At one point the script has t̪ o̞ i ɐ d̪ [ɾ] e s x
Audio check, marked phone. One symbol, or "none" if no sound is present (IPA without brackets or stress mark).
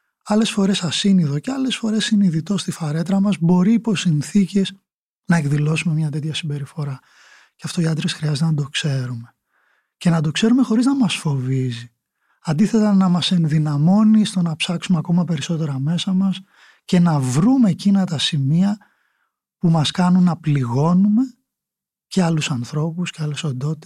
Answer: ɾ